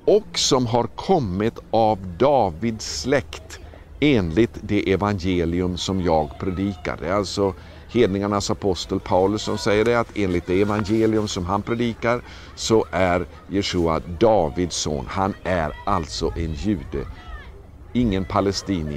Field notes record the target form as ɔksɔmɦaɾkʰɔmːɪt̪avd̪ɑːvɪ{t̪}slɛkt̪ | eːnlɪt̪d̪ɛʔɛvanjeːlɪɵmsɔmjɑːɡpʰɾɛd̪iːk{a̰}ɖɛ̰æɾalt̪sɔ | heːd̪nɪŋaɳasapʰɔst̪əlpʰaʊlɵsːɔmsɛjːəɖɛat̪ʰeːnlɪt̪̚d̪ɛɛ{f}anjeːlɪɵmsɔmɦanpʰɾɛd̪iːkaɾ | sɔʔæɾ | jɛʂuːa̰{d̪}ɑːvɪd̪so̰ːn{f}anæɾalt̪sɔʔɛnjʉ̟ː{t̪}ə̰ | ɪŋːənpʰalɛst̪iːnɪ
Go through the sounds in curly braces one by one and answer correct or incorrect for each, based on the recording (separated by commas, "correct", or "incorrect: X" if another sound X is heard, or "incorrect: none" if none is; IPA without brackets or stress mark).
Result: incorrect: d̪, correct, incorrect: v, correct, incorrect: h, incorrect: d̪